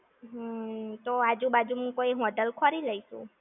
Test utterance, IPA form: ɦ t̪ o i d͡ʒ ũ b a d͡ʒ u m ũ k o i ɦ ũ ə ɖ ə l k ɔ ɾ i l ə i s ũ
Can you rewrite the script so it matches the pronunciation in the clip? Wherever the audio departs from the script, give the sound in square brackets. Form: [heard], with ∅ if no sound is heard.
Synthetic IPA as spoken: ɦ t̪ o [a] d͡ʒ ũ b a d͡ʒ u m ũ k o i ɦ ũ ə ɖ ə l [kʰ] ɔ ɾ i l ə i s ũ